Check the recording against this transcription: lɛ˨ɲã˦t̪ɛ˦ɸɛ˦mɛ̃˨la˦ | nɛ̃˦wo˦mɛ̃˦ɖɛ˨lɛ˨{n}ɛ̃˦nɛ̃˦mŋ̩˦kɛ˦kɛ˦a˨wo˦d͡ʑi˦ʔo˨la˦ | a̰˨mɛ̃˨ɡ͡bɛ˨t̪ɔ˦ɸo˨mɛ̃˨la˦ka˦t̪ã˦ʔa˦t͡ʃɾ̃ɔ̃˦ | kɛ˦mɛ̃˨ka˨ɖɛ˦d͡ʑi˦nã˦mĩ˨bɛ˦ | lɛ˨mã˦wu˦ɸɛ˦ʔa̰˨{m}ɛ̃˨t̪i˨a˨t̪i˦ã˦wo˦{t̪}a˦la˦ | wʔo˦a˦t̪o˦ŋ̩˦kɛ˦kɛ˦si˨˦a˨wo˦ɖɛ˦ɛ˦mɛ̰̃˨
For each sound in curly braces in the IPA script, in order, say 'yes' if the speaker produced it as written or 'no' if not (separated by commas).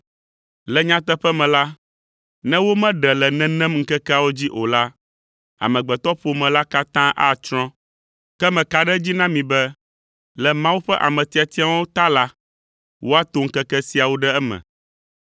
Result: yes, yes, yes